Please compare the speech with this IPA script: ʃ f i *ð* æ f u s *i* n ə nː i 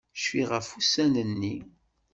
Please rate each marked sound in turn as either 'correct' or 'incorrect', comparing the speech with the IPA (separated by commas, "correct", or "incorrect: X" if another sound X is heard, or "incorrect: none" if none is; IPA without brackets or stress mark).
incorrect: ʁ, incorrect: æ